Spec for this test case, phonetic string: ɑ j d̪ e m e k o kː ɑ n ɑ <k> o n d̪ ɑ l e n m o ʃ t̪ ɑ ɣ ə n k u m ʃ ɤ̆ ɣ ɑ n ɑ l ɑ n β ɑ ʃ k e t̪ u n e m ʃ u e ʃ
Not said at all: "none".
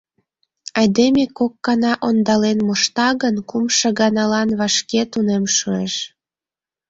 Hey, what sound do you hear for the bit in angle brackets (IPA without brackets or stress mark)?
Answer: ʔ